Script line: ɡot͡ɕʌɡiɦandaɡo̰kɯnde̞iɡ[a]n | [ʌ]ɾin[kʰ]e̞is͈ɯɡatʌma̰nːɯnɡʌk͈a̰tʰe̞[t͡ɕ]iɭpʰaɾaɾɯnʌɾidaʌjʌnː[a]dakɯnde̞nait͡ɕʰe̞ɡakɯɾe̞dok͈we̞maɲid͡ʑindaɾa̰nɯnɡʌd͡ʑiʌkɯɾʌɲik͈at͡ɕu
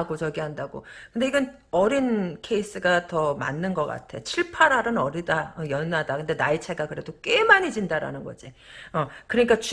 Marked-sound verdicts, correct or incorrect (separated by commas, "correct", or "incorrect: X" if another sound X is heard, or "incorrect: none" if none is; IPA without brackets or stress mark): incorrect: ʌ, correct, correct, incorrect: t͡ɕʰ, correct